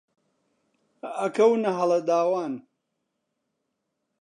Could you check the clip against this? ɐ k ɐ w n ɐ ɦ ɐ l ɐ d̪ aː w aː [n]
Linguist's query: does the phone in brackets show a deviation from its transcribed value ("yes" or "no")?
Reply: no